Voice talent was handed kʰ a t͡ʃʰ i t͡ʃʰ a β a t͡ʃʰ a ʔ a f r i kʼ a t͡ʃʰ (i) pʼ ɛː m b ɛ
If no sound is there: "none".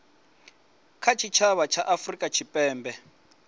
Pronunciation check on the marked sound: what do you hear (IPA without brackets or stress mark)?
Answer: i